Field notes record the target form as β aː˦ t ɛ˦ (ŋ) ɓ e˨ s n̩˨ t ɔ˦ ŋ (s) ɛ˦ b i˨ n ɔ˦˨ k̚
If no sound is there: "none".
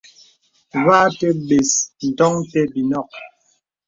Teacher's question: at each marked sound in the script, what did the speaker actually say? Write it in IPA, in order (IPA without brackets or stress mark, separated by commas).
none, t